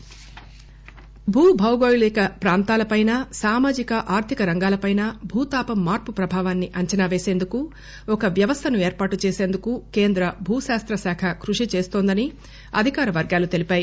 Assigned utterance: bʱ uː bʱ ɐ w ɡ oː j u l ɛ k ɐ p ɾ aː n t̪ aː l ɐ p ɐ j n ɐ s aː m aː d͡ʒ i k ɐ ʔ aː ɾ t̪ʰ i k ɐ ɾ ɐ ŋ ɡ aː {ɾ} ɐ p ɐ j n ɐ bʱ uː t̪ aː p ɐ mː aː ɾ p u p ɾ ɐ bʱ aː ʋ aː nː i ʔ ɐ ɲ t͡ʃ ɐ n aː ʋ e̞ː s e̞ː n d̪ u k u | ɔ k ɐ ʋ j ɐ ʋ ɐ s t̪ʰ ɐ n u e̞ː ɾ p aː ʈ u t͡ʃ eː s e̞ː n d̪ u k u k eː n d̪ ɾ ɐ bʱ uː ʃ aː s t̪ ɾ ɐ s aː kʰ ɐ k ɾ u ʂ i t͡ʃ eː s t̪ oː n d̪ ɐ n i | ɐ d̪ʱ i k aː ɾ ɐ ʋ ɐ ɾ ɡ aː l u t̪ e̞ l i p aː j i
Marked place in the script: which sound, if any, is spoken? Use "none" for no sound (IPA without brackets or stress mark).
l